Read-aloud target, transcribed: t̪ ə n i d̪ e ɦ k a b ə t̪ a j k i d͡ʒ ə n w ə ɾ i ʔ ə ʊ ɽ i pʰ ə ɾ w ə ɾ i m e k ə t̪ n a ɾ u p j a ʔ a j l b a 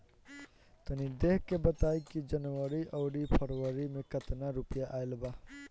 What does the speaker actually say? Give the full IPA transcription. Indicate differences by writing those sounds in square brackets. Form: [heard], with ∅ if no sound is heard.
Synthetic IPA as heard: t̪ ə n i d̪ e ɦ k [e] b ə t̪ a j k i d͡ʒ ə n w ə ɾ i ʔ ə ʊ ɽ i pʰ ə ɾ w ə ɾ i m e k ə t̪ n a ɾ u p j a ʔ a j l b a